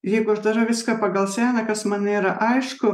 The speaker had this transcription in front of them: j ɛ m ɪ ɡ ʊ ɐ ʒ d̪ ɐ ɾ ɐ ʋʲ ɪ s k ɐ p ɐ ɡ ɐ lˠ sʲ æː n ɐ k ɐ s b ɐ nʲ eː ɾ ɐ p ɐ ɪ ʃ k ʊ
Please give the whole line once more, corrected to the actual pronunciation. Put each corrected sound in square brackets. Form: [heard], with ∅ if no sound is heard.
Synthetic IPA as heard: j ɛ [∅] ɪ ɡ ʊ ɐ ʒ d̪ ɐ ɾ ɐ ʋʲ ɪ s k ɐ p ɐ ɡ ɐ lˠ sʲ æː n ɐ k ɐ s [m] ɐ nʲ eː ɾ ɐ [ʔ] ɐ ɪ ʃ k ʊ